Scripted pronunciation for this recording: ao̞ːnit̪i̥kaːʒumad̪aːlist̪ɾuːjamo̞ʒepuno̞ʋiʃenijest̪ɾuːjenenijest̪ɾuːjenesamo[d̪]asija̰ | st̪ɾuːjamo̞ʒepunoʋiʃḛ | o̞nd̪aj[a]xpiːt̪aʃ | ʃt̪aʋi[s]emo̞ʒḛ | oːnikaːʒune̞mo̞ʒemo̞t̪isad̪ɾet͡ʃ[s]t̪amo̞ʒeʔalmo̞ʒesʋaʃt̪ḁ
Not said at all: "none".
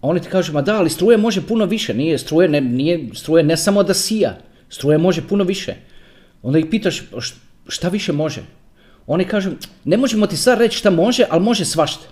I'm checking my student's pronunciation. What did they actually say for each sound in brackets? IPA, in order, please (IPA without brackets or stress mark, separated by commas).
d̪, i, ʃ, ʃ